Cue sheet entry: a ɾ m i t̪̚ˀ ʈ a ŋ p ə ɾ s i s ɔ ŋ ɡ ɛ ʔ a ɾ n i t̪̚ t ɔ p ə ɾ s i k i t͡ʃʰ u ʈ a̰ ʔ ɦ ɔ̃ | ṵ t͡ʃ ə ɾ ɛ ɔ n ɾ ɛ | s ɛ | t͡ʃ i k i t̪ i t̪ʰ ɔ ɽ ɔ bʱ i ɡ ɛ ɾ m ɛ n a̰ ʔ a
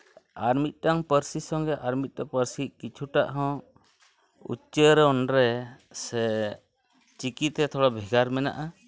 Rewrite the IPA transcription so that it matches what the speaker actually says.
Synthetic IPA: a ɾ m i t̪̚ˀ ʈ a ŋ p ə ɾ s i s ɔ ŋ ɡ ɛ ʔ a ɾ m i t̪̚ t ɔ p ə ɾ s i k i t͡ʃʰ u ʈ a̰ ʔ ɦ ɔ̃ | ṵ t͡ʃ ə ɾ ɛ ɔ n ɾ ɛ | s ɛ | t͡ʃ i k i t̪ ɛ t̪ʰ ɔ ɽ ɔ bʱ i ɡ a ɾ m ɛ n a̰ ʔ a